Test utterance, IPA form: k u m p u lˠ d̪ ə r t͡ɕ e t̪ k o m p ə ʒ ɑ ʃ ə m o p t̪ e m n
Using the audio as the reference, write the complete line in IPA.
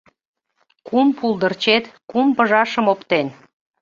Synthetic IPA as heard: k u m p u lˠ d̪ ə r t͡ɕ e t̪ k u m p ə ʒ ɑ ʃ ə m o p t̪ e n